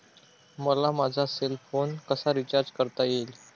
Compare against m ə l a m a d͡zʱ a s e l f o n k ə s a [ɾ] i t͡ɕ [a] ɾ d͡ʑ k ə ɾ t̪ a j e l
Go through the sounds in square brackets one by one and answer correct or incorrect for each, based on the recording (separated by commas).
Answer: correct, correct